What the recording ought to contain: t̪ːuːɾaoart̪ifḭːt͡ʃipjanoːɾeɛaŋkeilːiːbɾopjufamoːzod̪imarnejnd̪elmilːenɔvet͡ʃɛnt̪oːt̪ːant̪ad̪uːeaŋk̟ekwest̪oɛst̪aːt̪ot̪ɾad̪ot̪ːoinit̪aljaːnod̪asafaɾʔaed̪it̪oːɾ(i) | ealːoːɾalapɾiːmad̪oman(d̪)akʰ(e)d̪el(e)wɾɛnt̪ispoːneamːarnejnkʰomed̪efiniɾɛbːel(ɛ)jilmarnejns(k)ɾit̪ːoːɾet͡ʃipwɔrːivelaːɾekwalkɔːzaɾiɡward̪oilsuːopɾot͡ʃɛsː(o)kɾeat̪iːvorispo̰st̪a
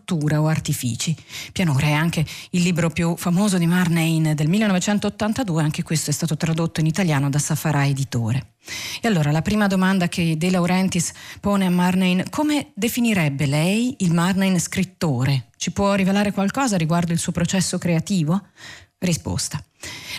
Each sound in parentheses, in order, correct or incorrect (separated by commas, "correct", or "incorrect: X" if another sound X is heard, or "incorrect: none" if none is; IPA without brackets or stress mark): incorrect: e, correct, correct, incorrect: a, correct, correct, correct